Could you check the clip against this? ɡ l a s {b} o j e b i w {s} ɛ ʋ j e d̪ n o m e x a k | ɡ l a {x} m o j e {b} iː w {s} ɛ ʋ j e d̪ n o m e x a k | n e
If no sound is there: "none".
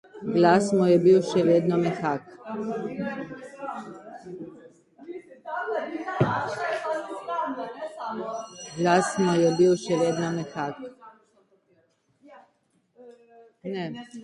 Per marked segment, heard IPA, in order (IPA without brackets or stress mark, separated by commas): m, ʃ, s, b, ʃ